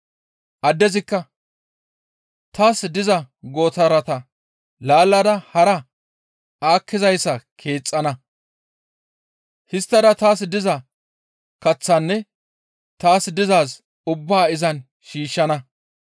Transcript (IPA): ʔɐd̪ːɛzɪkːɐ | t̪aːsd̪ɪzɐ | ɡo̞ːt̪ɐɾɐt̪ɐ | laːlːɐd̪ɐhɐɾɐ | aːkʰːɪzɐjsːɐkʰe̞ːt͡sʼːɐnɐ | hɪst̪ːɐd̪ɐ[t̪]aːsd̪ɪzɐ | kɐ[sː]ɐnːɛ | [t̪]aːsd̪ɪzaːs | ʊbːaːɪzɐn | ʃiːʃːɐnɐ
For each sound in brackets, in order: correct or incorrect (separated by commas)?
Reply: correct, incorrect, correct